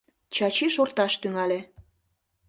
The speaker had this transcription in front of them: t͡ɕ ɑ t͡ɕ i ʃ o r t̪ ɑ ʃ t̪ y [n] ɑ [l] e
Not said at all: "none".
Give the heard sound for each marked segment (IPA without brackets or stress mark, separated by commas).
ŋ, l